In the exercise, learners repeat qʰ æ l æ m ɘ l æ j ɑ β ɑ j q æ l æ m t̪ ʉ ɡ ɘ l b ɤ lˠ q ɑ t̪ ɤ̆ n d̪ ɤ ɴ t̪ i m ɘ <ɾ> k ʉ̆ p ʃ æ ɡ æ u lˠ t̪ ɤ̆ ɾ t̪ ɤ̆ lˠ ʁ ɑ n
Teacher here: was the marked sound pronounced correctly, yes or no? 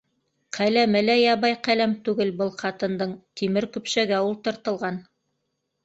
yes